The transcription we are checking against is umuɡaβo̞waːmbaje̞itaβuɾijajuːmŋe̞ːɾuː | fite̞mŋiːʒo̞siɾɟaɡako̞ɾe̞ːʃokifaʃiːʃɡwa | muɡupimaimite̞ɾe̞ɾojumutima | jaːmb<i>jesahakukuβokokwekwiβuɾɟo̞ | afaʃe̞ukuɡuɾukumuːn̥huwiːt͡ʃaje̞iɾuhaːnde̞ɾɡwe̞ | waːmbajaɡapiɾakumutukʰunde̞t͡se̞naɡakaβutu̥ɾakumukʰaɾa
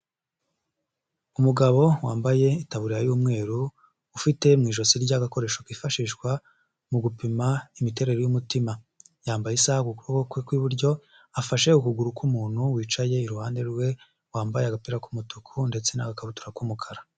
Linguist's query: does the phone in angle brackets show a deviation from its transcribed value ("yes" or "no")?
yes